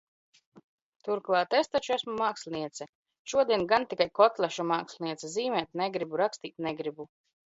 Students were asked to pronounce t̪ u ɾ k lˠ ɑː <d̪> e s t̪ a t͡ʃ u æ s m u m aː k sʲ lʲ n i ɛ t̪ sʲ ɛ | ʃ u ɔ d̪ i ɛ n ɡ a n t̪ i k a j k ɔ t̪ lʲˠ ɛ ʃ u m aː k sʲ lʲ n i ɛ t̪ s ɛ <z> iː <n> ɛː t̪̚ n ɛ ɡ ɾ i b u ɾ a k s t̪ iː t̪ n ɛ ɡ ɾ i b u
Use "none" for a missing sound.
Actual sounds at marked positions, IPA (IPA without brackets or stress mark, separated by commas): t̪, z, m